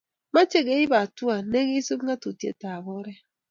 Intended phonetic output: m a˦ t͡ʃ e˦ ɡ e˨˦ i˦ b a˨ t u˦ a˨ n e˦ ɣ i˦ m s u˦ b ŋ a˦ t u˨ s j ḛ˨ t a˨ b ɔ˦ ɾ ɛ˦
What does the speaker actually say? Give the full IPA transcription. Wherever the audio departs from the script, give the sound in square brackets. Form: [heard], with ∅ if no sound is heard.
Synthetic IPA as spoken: m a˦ t͡ʃ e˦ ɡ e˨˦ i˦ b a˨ t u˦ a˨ n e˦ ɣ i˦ [∅] s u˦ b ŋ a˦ t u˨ [t] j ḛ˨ t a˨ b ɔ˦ ɾ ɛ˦